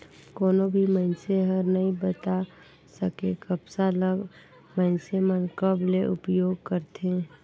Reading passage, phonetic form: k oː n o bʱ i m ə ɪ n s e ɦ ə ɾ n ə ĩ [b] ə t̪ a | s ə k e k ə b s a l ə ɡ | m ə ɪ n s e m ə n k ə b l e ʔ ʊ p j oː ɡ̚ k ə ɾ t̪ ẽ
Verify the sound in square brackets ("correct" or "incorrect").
correct